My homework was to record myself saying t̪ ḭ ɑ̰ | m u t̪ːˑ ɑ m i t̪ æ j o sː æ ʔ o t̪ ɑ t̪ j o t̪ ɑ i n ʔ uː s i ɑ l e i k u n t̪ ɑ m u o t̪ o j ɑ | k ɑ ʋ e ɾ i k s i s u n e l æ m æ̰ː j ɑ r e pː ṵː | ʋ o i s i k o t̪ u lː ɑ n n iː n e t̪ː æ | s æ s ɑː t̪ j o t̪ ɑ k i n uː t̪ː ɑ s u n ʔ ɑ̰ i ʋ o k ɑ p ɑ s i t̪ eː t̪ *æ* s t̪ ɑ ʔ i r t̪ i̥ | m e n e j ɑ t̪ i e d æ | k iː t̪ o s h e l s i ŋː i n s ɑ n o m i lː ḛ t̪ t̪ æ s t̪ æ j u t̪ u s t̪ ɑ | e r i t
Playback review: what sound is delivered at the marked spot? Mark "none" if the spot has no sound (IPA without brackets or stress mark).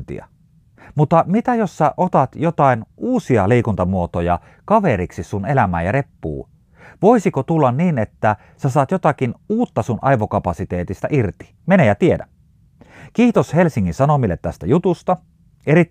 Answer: i